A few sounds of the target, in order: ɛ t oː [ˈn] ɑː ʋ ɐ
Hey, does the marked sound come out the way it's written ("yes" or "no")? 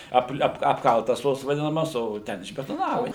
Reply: yes